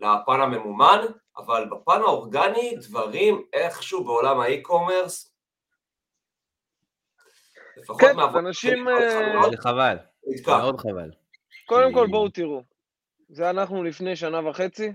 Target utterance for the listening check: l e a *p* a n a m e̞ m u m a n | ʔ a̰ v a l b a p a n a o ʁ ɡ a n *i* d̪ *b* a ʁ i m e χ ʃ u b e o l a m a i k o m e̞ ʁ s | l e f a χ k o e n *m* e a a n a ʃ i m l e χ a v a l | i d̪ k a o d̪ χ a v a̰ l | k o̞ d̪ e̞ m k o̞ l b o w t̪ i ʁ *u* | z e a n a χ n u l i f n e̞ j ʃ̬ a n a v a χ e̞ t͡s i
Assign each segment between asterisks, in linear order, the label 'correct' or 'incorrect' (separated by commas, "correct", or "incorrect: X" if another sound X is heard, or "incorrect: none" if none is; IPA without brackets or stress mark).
correct, correct, incorrect: v, correct, correct